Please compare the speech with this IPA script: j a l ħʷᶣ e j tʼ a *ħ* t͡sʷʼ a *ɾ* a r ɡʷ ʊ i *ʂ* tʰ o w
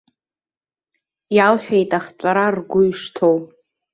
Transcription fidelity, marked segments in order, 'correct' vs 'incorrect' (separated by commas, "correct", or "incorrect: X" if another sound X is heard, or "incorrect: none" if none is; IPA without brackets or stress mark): incorrect: χ, correct, correct